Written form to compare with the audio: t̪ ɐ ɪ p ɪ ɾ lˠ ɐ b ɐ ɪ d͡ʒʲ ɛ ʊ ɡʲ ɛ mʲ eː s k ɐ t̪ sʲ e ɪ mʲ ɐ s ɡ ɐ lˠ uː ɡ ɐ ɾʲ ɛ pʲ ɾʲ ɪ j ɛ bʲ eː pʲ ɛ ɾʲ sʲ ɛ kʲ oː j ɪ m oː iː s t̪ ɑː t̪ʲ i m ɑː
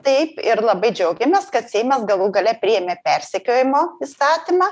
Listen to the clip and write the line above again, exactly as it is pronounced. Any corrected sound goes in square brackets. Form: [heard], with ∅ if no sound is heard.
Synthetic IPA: t̪ ɐ ɪ p ɪ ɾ lˠ ɐ b ɐ ɪ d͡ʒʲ ɛ ʊ ɡʲ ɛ mʲ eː s k ɐ t̪ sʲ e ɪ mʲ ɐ s ɡ ɐ lˠ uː ɡ ɐ [lʲ] ɛ pʲ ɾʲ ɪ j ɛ [mʲ] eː pʲ ɛ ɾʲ sʲ ɛ kʲ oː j ɪ m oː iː s t̪ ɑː t̪ʲ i m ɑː